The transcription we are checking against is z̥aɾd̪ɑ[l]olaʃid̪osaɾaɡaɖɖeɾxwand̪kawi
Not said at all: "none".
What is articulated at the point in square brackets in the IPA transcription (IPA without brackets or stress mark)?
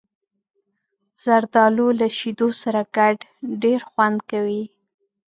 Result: l